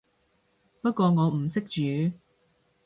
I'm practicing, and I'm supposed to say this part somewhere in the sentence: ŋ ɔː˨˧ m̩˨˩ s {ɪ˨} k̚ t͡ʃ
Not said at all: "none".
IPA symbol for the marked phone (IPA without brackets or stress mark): ɪ˥